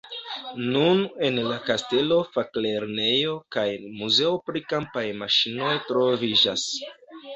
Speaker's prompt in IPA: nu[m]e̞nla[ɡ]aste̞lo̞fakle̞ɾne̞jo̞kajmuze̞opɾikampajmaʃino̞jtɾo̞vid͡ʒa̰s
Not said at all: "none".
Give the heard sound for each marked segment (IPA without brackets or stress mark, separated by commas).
n, k